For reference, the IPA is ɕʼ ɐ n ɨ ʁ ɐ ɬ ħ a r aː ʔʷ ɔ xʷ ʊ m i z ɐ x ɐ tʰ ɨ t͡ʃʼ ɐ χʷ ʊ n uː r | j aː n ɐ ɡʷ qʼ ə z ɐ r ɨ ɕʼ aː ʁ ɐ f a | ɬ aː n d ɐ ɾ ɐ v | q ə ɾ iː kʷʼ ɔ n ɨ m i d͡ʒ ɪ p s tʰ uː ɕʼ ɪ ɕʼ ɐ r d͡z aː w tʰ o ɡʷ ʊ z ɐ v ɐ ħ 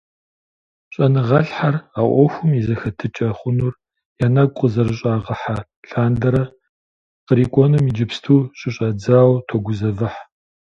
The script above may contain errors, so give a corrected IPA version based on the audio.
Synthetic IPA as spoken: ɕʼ ɐ n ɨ ʁ ɐ ɬ ħ a r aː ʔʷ ɔ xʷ ʊ m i z ɐ x ɐ tʰ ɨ t͡ʃʼ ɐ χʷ ʊ n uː r | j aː n ɐ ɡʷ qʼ ə z ɐ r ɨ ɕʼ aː ʁ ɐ ħ a | ɬ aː n d ɐ ɾ ɐ | q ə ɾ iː kʷʼ ɔ n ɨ m i d͡ʒ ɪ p s tʰ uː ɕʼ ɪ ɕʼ ɐ d͡z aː w tʰ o ɡʷ ʊ z ɐ v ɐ ħ